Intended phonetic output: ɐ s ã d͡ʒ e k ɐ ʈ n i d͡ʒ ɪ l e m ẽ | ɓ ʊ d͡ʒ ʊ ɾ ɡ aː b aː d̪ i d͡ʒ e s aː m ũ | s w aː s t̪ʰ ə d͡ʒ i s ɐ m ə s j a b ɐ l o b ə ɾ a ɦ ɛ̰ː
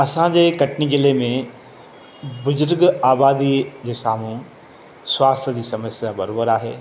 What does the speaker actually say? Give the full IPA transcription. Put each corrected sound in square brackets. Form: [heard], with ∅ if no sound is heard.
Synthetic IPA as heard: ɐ s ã d͡ʒ e k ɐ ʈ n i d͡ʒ ɪ l e m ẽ | [b] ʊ d͡ʒ ʊ ɾ ɡ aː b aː d̪ i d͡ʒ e s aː m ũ | s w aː s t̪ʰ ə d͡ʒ i s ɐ m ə s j a b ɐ [ɾ] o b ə ɾ a ɦ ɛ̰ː